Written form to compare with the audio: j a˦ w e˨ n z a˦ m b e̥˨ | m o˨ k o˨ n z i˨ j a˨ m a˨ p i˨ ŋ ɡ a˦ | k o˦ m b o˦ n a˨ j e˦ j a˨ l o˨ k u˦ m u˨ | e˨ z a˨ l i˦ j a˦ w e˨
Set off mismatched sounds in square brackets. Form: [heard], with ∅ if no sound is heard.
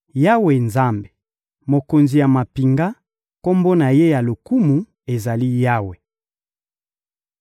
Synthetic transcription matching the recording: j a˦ w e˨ n z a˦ m b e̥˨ | m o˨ k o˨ n z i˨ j a˨ m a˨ p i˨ ŋ ɡ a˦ | k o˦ m b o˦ n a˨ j e˦ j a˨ l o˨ k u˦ m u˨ | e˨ z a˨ l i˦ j a˦ w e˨